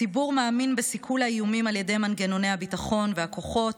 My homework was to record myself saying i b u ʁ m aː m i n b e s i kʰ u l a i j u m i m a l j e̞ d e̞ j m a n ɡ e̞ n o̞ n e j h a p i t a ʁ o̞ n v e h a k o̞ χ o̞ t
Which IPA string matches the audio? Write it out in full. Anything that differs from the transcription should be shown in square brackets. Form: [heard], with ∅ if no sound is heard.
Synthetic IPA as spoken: i b u ʁ m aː m i n b e s i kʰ u l a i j u m i m a l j e̞ d e̞ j m a n ɡ e̞ n o̞ n e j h a [b] i t a [χ] o̞ n v e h a k o̞ χ o̞ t